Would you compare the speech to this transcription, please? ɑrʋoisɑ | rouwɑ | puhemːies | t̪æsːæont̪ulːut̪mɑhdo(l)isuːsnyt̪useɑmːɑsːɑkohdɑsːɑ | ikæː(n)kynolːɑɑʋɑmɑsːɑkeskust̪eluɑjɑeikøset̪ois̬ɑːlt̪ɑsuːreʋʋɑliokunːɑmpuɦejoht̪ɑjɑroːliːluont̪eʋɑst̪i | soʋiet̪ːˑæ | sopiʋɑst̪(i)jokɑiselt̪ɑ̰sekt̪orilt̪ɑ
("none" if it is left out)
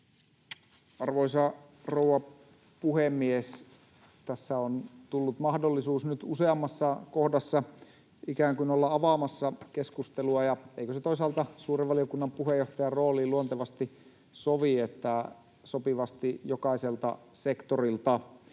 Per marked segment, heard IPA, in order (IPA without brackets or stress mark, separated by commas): lː, ŋ, i